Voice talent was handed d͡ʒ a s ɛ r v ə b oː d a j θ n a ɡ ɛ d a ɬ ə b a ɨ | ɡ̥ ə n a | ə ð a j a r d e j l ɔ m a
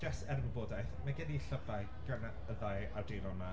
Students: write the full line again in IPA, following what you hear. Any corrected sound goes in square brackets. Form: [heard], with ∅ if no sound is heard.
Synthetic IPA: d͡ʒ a s ɛ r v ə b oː d a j θ [m] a ɡ ɛ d [i] ɬ ə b a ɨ | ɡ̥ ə n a | ə ð a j a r d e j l ɔ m a